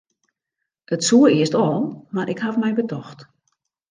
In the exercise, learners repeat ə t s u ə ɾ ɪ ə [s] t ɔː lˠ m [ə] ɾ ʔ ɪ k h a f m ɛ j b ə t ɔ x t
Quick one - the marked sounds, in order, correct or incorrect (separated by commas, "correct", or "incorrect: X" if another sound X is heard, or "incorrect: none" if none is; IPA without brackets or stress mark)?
correct, incorrect: a